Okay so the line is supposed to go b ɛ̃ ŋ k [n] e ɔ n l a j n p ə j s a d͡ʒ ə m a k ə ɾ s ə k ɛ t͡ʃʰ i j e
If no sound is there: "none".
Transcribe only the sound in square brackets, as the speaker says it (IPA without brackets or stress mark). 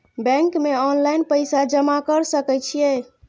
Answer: m